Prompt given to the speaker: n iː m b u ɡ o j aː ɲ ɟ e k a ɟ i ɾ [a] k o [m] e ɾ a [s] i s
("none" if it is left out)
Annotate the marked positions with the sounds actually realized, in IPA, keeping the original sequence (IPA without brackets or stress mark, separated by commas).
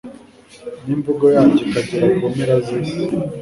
a, m, z